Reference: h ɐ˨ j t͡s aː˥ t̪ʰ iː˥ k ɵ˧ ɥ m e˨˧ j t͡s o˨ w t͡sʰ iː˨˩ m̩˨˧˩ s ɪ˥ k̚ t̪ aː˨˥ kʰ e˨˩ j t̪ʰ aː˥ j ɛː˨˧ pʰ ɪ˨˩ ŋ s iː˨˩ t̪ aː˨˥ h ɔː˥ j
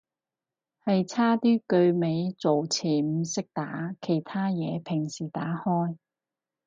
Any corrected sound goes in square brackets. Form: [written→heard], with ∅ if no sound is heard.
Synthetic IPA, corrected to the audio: h ɐ˨ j [t͡s→t͡sʰ] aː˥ [t̪ʰ→t̪] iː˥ k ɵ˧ ɥ m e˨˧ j t͡s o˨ w t͡sʰ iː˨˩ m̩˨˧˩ s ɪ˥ k̚ t̪ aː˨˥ kʰ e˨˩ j t̪ʰ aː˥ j ɛː˨˧ pʰ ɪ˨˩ ŋ s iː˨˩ t̪ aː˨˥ h ɔː˥ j